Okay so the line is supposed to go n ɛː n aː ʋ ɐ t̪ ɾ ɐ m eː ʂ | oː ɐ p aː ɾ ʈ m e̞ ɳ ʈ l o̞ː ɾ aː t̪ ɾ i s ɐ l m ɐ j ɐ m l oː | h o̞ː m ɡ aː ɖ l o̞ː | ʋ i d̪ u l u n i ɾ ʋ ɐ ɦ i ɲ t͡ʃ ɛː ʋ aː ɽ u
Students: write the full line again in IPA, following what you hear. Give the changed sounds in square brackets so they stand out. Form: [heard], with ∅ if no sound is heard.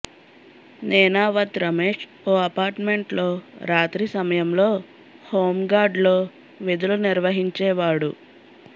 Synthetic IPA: n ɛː n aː ʋ ɐ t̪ ɾ ɐ m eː ʂ | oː ɐ p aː ɾ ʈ m e̞ ɳ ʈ l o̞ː ɾ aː t̪ ɾ i s ɐ [∅] m ɐ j ɐ m l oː | h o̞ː m ɡ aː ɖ l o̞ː | ʋ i d̪ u l u n i ɾ ʋ ɐ ɦ i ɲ t͡ʃ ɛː ʋ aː ɽ u

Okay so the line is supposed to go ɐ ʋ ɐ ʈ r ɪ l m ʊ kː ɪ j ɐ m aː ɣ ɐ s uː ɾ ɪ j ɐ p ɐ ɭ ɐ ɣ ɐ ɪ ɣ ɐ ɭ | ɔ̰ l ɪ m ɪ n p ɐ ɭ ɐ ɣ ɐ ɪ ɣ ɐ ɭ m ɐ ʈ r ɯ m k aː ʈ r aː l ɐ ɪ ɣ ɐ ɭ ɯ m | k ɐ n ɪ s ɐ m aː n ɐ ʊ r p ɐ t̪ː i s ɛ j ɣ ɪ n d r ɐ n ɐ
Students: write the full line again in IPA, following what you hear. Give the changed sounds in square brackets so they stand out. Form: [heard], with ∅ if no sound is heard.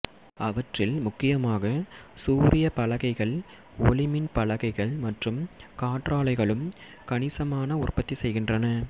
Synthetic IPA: ɐ ʋ ɐ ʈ r ɪ l m ʊ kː ɪ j ɐ m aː ɣ ɐ s uː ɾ ɪ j ɐ p ɐ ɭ ɐ ɣ ɐ ɪ ɣ ɐ ɭ | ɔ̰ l ɪ m ɪ n p ɐ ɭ ɐ ɣ ɐ ɪ ɣ ɐ ɭ m ɐ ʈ r ɯ m k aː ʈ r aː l ɐ ɪ ɣ ɐ ɭ ɯ m | k ɐ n ɪ s ɐ m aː n ɐ ʊ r p ɐ t̪ː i s ɛ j ɣ ɪ n d r ɐ n ɐ

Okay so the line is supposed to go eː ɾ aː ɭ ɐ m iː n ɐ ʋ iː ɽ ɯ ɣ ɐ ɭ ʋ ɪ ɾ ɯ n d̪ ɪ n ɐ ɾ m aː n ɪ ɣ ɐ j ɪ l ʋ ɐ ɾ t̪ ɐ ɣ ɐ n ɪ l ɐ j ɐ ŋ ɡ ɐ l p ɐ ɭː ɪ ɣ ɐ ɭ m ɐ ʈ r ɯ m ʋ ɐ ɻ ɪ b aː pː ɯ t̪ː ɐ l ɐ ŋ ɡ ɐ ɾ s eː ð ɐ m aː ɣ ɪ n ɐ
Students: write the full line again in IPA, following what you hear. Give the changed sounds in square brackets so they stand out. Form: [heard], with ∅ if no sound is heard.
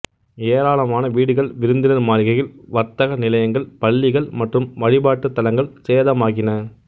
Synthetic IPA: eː ɾ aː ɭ ɐ m [aː] n ɐ ʋ iː ɽ ɯ ɣ ɐ ɭ ʋ ɪ ɾ ɯ n d̪ ɪ n ɐ ɾ m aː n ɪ ɣ ɐ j ɪ l ʋ ɐ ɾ t̪ ɐ ɣ ɐ n ɪ l ɐ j ɐ ŋ ɡ ɐ [ɭ] p ɐ ɭː ɪ ɣ ɐ ɭ m ɐ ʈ r ɯ m ʋ ɐ ɻ ɪ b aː [ʈː] ɯ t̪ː ɐ l ɐ ŋ ɡ ɐ [ɭ] s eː ð ɐ m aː ɣ ɪ n ɐ

